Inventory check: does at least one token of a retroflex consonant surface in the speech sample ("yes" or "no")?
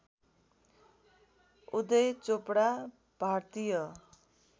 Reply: yes